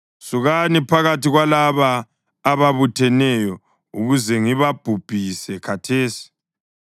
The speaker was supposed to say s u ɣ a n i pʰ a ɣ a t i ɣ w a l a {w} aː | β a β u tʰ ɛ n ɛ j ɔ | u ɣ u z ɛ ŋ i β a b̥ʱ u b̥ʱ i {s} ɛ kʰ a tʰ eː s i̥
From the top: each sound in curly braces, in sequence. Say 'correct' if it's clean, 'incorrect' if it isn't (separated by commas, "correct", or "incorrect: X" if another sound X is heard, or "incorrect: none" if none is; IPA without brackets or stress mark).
incorrect: β, correct